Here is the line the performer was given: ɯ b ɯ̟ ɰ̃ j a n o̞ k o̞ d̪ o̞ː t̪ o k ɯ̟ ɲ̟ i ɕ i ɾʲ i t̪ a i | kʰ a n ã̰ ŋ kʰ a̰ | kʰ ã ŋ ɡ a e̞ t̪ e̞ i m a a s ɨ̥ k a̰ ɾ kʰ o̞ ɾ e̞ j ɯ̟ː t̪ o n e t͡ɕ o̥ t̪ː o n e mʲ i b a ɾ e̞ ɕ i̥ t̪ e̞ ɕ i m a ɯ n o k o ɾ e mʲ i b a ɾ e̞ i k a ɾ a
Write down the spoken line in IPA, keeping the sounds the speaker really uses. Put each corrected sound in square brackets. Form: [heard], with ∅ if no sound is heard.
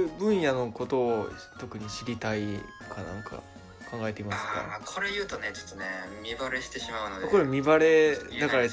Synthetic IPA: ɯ b [ɯ̟̃] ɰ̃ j a n o̞ k o̞ [t̪] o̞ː t̪ o k ɯ̟ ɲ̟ i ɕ i ɾʲ i t̪ a i | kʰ a n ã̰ ŋ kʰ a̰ | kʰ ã ŋ ɡ a e̞ t̪ e̞ i m a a s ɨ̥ k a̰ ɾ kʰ o̞ ɾ e̞ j ɯ̟ː t̪ o n e t͡ɕ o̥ t̪ː o n e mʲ i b a ɾ e̞ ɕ i̥ t̪ e̞ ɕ i m a ɯ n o k o ɾ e mʲ i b a ɾ e̞ [a] k a ɾ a